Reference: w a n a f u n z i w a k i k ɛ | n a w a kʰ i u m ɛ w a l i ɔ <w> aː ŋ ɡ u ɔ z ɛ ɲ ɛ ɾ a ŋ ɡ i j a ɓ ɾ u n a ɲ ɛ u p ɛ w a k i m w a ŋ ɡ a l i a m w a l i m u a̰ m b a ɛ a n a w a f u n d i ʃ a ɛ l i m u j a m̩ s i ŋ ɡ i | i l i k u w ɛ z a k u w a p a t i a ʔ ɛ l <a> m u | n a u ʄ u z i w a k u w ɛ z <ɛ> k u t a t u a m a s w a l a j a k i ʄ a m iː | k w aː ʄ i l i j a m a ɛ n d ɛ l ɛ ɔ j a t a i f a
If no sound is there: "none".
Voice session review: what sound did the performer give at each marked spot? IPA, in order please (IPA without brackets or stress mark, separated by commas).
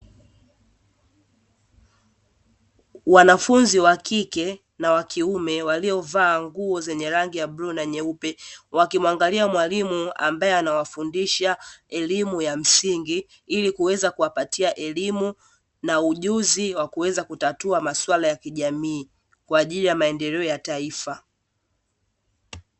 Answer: v, i, a